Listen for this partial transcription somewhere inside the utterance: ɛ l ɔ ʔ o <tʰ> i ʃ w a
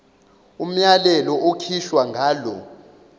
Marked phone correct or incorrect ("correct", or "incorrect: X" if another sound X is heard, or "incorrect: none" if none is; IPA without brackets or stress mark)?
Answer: incorrect: kʰ